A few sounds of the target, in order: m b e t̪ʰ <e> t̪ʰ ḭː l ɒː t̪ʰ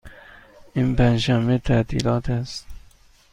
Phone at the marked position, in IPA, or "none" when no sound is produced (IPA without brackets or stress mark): æ